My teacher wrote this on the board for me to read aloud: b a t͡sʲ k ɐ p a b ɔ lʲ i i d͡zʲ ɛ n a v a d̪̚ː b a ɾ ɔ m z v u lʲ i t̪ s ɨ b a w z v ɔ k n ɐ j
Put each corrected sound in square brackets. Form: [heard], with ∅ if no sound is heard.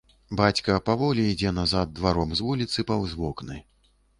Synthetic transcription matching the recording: b a t͡sʲ k ɐ p a [v] ɔ lʲ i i d͡zʲ ɛ n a [z] a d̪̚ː [v] a ɾ ɔ m z v u lʲ i t̪ s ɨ [p] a w z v ɔ k n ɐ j